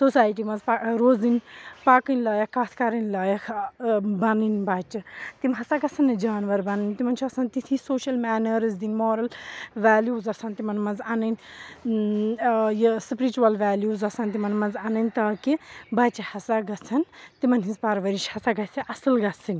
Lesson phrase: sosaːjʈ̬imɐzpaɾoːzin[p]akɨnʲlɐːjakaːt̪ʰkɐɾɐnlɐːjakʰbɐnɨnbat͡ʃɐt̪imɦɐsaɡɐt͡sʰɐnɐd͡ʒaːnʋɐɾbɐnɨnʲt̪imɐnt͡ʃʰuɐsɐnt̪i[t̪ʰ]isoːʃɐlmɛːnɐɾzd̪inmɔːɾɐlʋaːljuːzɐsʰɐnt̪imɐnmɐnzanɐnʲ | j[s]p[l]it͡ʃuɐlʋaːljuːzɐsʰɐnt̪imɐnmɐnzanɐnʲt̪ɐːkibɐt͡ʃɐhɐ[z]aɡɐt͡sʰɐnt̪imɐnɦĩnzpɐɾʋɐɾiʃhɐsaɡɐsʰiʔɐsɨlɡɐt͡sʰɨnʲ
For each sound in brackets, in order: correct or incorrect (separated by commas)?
correct, correct, correct, incorrect, incorrect